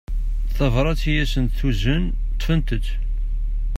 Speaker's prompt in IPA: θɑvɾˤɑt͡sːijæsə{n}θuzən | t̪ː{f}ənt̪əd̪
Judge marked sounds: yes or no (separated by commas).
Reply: yes, yes